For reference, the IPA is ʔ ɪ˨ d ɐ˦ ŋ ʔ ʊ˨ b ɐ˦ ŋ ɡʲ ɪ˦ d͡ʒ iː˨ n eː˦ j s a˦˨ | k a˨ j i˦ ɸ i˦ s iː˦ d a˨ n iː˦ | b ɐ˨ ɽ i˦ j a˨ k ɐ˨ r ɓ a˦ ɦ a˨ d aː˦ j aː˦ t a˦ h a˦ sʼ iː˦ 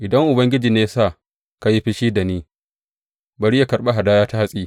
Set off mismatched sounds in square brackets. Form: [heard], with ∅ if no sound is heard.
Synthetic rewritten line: ʔ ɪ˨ d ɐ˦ ŋ ʔ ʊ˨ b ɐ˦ ŋ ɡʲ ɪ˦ d͡ʒ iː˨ n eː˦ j s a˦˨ | k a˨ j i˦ ɸ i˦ [ʃ] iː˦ d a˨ n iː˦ | b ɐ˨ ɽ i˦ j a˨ k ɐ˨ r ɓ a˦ ɦ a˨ d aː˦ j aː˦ t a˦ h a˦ sʼ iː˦